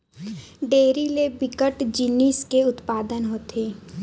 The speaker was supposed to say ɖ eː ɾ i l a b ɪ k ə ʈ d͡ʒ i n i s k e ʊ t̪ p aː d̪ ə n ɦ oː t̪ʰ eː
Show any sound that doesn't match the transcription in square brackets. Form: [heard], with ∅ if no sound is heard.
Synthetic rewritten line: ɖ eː ɾ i l [e] b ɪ k ə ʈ d͡ʒ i n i s k e ʊ t̪ p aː d̪ ə n ɦ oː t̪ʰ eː

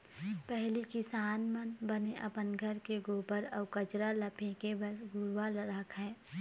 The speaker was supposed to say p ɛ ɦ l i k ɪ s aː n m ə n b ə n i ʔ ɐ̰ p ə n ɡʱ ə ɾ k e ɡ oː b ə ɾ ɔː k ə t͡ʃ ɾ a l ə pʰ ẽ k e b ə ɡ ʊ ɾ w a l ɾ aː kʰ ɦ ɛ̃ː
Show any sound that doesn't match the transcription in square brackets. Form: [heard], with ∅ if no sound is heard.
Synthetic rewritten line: p ɛ ɦ l i k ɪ s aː n m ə n b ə n [e] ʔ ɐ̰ p ə n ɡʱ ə ɾ k e ɡ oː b ə ɾ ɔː k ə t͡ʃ ɾ a l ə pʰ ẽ k e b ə ɡ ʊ ɾ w a l ɾ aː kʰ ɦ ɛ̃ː

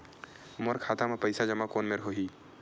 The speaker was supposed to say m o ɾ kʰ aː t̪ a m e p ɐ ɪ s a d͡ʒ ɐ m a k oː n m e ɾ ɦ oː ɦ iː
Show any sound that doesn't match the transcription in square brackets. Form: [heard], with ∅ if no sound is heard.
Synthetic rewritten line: m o ɾ kʰ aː t̪ a m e p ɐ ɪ s a d͡ʒ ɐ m a k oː n m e ɾ ɦ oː ɦ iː

